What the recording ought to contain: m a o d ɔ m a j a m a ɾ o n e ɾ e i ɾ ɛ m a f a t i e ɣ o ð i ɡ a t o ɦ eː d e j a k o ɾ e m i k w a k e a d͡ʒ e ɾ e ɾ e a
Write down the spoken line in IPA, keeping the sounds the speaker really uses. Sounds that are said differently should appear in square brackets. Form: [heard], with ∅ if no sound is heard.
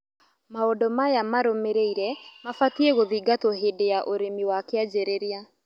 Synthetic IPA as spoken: m a o d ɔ m a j a m a ɾ o [m] e ɾ e i ɾ ɛ m a f a t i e ɣ o ð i ɡ a t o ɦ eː d e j a [ʔ] o ɾ e m i [∅] w a k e a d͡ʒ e ɾ e ɾ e a